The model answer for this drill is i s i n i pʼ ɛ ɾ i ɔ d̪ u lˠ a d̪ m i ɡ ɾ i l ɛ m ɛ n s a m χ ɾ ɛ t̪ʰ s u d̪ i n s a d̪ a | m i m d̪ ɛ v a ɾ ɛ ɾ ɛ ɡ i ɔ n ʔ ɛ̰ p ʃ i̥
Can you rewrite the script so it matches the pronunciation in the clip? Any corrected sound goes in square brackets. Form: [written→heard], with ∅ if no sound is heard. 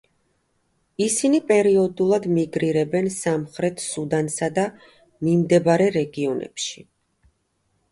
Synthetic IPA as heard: i s i n i pʼ ɛ ɾ i ɔ d̪ u lˠ a d̪ m i ɡ ɾ i [l→ɾ] ɛ [m→b] ɛ n s a m χ ɾ ɛ t̪ʰ s u d̪ [i→a] n s a d̪ a | m i m d̪ ɛ [v→b] a ɾ ɛ ɾ ɛ ɡ i ɔ n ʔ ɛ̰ p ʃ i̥